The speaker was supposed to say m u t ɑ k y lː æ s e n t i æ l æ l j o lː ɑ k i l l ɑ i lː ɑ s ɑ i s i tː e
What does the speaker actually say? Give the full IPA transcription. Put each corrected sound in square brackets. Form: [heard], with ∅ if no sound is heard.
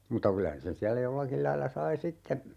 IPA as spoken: m u t ɑ k y [l] æ s e n [s] i æ [lː] æ [∅] j o lː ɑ k i l l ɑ i lː ɑ s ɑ i s i tː e